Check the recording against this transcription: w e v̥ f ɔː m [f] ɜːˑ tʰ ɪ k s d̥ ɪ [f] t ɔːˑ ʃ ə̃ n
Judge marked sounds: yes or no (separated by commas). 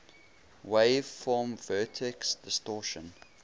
no, no